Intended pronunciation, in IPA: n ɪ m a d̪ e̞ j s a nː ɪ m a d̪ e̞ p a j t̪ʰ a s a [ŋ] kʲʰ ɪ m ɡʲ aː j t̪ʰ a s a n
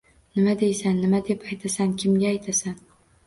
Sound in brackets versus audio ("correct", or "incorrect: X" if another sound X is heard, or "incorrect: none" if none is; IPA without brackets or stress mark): incorrect: n